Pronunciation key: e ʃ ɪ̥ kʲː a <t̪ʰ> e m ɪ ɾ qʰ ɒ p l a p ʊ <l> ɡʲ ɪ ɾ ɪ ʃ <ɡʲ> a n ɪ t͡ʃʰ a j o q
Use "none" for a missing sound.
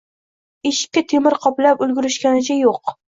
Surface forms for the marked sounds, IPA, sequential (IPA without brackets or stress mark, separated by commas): t̪ʰ, l, kʲ